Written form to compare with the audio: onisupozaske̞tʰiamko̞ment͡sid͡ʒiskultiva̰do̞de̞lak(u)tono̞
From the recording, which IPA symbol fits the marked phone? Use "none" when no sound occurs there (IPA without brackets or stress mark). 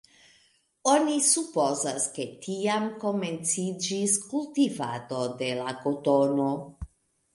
o